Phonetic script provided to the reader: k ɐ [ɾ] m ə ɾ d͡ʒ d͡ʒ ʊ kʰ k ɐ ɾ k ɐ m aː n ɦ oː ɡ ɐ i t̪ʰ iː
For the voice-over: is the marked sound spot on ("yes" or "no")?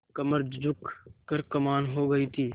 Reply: no